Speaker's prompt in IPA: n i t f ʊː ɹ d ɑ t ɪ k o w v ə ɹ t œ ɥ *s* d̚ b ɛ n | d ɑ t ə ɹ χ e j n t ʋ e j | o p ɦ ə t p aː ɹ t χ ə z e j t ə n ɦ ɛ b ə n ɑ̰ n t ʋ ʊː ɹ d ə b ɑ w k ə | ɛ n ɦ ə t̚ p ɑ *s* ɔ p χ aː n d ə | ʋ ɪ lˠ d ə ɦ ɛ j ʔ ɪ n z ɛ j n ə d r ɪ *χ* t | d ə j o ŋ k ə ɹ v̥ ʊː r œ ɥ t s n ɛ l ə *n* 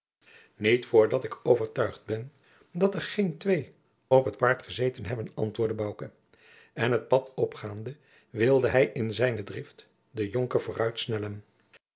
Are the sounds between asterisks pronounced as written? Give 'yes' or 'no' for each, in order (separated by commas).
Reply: no, no, no, yes